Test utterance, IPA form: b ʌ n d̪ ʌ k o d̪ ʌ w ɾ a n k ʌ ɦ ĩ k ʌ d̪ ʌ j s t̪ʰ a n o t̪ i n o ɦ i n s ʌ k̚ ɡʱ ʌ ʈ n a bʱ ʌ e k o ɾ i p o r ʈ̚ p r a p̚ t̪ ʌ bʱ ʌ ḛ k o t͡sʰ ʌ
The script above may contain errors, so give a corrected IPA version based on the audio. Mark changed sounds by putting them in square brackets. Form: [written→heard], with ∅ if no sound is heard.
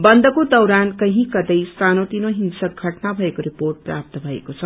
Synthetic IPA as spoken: b ʌ n d̪ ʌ k o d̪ ʌ w ɾ a n k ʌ ɦ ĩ k ʌ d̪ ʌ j s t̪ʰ a n o t̪ i n o ɦ i n s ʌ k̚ ɡʱ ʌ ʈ n a bʱ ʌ e k o ɾ i p o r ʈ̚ p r a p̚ t̪ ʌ bʱ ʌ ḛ k o t͡sʰ ʌ